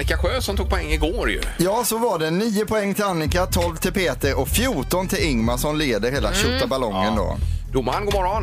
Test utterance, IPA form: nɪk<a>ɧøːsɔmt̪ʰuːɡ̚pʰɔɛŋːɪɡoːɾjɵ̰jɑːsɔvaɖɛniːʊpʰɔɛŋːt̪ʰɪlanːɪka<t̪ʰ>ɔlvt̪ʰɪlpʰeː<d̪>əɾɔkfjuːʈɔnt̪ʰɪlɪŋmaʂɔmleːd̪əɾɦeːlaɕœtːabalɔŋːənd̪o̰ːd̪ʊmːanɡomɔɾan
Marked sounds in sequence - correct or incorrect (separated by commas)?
correct, correct, incorrect